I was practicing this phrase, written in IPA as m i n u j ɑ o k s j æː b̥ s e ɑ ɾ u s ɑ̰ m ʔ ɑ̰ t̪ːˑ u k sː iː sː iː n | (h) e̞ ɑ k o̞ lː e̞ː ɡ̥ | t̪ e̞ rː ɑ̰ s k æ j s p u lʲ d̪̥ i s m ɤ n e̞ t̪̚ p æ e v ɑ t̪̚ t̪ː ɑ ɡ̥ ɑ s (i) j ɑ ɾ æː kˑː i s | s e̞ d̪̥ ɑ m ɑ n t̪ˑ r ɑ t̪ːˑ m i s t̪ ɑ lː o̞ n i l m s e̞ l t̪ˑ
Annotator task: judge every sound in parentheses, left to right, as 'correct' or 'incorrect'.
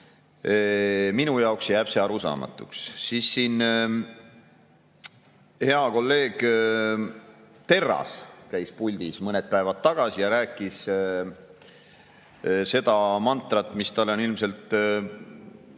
correct, correct

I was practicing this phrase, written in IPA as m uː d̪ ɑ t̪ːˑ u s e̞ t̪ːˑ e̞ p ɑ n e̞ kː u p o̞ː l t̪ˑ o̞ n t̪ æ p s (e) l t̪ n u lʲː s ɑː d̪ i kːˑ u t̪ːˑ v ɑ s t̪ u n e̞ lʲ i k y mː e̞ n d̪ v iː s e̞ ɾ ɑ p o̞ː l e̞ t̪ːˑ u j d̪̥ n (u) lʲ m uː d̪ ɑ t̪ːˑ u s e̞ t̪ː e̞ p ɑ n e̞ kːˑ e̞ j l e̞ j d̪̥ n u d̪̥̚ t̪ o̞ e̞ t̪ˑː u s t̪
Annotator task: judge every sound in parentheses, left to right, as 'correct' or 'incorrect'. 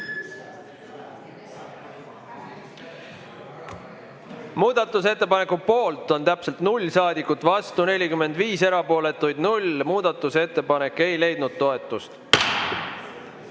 correct, correct

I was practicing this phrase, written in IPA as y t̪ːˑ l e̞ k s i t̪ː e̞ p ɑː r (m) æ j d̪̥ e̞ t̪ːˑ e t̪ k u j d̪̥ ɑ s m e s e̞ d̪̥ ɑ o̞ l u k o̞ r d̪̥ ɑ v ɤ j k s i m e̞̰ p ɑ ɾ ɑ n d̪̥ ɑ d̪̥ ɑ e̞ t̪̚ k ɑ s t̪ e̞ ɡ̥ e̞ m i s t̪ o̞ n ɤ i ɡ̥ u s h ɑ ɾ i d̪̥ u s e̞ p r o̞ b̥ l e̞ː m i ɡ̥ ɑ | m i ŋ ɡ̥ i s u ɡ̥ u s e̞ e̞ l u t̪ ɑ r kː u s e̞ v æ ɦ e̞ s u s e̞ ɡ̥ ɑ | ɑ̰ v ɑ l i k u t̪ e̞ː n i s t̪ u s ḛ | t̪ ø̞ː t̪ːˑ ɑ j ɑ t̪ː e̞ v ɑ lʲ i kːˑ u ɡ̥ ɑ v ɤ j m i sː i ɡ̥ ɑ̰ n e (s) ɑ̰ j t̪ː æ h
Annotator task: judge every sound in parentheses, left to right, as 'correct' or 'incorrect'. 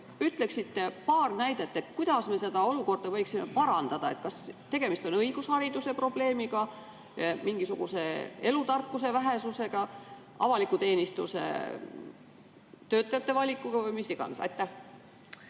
incorrect: n, correct

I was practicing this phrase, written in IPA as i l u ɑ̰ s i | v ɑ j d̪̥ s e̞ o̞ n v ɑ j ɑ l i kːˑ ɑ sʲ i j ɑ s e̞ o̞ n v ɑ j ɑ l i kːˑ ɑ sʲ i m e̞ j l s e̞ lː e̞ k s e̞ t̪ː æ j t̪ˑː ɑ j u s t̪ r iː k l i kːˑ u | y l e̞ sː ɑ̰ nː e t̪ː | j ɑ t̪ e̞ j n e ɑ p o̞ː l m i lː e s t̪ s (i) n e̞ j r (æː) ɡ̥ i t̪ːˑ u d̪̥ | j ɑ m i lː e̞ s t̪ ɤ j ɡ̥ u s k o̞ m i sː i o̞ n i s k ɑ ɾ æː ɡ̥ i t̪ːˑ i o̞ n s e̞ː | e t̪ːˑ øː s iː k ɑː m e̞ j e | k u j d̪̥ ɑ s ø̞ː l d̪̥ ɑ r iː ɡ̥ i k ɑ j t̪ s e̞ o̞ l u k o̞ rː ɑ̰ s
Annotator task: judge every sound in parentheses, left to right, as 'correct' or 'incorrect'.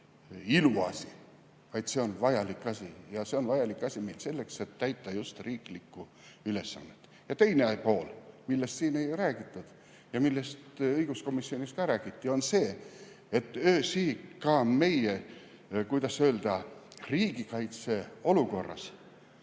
incorrect: iː, correct

